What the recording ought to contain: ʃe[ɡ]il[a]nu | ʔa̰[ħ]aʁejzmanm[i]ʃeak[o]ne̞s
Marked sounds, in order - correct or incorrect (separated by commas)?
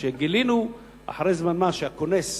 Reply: correct, incorrect, correct, incorrect, correct